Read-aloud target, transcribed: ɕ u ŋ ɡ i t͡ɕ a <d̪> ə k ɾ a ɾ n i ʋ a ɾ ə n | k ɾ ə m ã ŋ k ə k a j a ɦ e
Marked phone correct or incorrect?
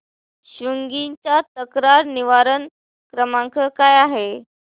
incorrect: t̪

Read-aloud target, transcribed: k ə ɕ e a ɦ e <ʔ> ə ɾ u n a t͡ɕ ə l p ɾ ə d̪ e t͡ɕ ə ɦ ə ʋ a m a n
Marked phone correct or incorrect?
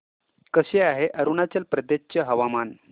correct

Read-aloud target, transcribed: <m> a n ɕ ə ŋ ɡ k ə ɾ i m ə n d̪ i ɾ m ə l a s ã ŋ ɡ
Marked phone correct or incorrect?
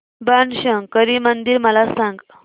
incorrect: b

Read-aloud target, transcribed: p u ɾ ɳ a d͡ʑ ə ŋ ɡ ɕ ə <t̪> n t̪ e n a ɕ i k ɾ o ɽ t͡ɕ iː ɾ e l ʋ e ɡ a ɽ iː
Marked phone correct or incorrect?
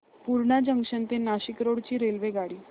incorrect: none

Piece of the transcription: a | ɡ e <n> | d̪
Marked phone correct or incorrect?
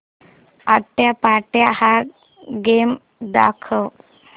incorrect: m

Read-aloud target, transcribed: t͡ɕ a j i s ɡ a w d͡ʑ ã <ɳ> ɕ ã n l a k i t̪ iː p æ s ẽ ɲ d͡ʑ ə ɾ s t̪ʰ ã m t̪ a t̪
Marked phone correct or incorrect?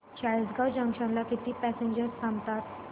incorrect: ŋ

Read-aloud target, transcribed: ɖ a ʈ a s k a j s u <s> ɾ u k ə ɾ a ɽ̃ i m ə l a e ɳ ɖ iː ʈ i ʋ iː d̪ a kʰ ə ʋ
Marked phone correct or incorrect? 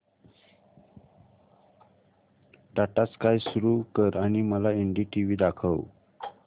incorrect: none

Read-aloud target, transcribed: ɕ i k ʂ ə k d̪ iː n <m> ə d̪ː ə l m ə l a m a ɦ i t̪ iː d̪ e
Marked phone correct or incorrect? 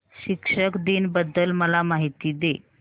incorrect: b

